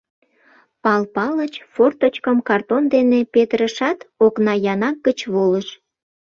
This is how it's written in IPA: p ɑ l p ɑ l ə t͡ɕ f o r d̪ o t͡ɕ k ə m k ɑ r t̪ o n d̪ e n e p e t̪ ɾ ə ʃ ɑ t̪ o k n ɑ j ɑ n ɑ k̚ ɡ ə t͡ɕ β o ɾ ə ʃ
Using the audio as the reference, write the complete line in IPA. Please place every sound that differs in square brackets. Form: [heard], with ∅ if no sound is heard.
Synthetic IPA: p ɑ l p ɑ l ə t͡ɕ f o r [t̪] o t͡ɕ k ə m k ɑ r t̪ o n d̪ e n e p e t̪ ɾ ə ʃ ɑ t̪ o k n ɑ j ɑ n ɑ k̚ ɡ ə t͡ɕ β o [l] ə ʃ